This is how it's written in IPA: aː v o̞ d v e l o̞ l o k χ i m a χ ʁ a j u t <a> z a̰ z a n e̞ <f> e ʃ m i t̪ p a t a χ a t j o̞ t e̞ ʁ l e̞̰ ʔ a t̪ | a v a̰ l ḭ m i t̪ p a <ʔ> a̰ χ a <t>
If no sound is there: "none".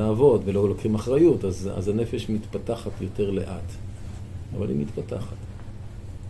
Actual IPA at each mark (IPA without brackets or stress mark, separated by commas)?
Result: a, f, t, t